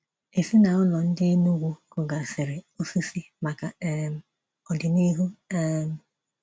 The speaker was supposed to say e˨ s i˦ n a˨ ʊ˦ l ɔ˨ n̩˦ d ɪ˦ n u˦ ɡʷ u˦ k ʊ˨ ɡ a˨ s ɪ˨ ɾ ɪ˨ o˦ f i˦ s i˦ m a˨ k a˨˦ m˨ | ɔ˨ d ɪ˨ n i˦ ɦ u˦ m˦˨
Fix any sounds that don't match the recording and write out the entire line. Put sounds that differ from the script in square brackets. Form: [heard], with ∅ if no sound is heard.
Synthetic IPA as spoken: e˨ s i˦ n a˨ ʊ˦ l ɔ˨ n̩˦ d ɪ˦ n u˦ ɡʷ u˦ k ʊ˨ ɡ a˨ s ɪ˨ ɾ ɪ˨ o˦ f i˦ s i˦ m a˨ k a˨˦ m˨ | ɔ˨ d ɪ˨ n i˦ ɦ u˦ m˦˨

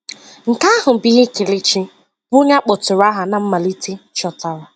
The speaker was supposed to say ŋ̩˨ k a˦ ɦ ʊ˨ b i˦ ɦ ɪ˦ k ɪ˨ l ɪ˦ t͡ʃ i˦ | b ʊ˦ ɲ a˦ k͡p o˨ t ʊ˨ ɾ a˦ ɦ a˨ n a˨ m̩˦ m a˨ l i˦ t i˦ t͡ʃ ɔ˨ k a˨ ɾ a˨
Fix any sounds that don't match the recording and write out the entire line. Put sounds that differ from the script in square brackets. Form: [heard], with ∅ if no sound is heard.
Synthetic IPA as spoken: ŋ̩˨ k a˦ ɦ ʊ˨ b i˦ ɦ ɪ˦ k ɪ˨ l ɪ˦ t͡ʃ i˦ | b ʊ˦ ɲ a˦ k͡p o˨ t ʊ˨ ɾ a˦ ɦ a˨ n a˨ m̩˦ m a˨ l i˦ t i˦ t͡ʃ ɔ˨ [t] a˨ ɾ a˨

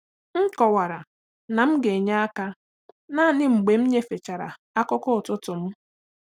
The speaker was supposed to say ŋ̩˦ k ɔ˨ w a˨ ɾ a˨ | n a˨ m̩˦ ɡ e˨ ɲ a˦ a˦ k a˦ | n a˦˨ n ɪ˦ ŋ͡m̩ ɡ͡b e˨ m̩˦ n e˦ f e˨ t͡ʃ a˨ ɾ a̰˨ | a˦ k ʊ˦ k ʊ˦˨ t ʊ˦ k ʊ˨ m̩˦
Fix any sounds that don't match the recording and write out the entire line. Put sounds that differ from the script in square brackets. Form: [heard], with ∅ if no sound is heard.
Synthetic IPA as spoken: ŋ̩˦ k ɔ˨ w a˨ ɾ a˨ | n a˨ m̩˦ ɡ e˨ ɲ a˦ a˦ k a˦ | n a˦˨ n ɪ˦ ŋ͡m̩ ɡ͡b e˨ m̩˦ [ɲ] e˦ f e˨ t͡ʃ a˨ ɾ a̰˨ | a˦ k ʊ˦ k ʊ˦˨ t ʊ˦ [t] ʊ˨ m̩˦

